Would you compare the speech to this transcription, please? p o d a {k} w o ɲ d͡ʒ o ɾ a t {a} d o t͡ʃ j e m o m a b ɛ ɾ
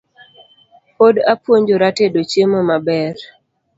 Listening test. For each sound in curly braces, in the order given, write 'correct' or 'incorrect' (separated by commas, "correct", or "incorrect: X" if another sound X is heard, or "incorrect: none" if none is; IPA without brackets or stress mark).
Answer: incorrect: p, incorrect: e